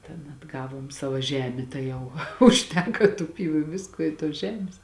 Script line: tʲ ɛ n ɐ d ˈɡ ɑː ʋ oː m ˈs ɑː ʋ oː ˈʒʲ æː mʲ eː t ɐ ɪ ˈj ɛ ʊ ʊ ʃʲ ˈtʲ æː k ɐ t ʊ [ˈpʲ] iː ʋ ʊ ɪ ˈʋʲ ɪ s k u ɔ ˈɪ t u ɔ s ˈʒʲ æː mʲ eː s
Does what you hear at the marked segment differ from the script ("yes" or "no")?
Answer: no